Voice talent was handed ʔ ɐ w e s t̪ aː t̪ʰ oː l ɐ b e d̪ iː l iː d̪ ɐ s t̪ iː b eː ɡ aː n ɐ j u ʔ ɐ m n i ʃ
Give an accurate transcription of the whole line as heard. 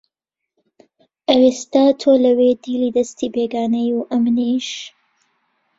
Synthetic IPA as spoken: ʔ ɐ w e s t̪ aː t̪ʰ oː l ɐ w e d̪ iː l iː d̪ ɐ s t̪ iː b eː ɡ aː n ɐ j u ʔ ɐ m n i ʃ